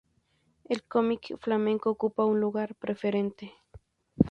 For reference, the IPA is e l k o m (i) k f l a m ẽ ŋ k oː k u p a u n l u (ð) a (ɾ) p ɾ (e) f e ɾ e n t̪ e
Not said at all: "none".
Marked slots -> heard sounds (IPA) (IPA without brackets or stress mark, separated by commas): i, ɣ, ɾ, e